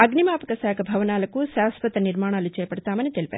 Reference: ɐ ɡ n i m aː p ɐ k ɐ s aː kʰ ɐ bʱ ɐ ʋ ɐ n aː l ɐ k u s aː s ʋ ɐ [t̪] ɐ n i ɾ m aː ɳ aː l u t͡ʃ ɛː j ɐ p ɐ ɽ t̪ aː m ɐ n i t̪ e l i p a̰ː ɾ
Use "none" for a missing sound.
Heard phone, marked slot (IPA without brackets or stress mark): t̪